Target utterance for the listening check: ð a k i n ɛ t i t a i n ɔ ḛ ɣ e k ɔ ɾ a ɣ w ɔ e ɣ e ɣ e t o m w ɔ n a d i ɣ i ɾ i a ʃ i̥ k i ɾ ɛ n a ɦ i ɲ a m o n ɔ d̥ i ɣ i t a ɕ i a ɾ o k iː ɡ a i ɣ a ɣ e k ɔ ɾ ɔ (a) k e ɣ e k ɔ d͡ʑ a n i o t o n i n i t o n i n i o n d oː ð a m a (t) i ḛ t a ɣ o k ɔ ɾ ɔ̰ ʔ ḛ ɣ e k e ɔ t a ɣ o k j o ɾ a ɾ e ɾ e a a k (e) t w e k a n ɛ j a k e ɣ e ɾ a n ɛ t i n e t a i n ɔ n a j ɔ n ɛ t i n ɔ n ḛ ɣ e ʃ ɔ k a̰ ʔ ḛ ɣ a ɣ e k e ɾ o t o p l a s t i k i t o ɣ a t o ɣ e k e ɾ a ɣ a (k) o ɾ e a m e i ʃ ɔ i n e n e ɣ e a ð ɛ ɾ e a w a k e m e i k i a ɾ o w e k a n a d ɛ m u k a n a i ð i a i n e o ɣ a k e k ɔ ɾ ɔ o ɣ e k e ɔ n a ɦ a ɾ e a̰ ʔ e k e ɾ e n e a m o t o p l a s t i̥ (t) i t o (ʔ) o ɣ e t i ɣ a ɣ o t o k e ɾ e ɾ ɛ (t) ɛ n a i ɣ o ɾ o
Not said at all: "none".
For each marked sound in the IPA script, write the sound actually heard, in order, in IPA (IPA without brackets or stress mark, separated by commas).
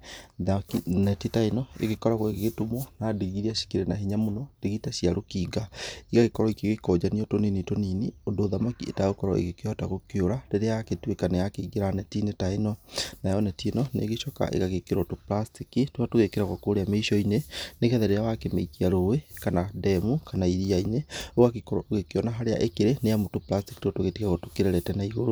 i, k, e, k, k, t, t